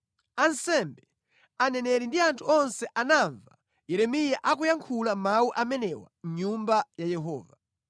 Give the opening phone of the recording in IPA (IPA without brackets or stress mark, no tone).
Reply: a